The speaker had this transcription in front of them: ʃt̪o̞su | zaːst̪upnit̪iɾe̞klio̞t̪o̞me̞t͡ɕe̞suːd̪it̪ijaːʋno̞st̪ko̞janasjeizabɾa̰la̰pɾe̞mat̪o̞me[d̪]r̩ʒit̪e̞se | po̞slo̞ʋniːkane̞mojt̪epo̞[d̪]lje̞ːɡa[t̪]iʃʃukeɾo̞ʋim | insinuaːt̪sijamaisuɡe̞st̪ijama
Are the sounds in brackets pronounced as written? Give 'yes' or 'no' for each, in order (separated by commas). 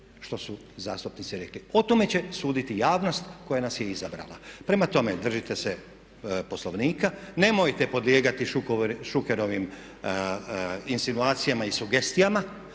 yes, yes, yes